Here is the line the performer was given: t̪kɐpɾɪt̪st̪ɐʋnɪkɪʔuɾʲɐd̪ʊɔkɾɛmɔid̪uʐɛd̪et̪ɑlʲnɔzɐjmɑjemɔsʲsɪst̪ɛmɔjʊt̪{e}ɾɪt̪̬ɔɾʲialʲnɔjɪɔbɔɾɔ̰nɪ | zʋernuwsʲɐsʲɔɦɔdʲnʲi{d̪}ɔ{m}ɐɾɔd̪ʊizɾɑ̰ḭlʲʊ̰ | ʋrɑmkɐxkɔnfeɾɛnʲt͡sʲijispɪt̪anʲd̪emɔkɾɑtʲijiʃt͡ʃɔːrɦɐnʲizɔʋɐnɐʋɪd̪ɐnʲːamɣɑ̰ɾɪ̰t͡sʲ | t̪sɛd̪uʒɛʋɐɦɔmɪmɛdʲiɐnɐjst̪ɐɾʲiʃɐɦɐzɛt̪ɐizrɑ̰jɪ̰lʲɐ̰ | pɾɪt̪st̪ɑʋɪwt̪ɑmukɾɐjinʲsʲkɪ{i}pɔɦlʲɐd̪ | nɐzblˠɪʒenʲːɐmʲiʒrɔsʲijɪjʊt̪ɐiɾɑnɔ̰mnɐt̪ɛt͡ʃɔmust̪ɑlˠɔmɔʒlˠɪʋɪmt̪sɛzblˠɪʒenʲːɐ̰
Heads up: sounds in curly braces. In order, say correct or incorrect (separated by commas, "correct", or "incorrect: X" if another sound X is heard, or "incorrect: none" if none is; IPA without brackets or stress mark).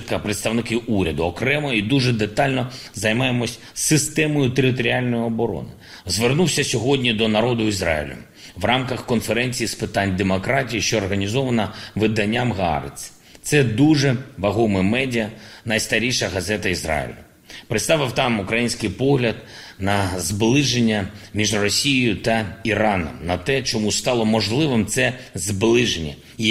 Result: correct, correct, incorrect: n, incorrect: j